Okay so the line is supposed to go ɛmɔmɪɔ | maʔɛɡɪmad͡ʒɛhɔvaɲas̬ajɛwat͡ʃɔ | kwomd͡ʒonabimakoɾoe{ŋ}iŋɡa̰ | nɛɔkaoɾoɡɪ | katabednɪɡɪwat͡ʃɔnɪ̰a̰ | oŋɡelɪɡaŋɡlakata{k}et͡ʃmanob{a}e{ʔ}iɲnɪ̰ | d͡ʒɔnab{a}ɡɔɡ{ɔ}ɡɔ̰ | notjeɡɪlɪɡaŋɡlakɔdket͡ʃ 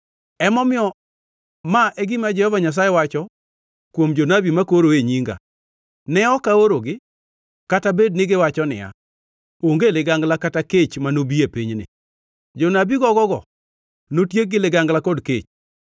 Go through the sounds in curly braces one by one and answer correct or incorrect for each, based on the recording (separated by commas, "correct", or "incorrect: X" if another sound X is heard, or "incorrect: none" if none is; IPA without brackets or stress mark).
incorrect: ɲ, correct, incorrect: i, incorrect: p, incorrect: i, correct